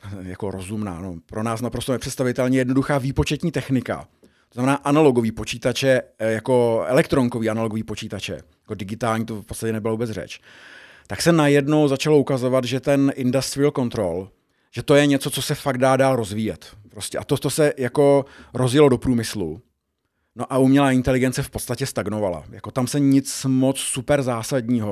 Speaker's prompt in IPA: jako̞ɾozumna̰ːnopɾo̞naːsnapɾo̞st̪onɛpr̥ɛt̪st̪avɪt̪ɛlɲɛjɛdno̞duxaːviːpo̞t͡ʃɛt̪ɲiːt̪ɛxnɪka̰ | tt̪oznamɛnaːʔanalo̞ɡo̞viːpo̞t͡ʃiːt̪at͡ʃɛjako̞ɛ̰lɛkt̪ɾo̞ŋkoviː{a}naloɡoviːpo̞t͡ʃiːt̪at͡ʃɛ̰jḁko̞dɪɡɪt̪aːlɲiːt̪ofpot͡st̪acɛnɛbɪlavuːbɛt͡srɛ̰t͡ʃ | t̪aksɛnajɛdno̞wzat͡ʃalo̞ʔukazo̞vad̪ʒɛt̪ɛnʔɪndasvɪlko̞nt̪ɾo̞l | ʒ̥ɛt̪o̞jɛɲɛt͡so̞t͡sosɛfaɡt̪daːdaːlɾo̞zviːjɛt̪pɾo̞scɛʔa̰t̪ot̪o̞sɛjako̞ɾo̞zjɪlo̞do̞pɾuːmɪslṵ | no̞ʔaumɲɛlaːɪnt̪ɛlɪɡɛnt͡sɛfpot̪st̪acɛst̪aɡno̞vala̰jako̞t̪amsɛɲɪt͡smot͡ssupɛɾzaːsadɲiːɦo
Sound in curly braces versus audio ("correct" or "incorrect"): correct